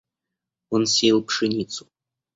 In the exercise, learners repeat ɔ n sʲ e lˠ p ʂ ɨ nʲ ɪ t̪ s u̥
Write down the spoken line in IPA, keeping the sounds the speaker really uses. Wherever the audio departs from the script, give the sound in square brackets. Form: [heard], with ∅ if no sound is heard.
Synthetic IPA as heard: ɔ n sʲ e lˠ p ʂ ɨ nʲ [i] t̪ s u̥